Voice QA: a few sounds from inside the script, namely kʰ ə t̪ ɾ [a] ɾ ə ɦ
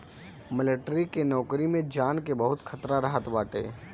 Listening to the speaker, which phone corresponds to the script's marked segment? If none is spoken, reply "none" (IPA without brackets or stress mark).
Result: a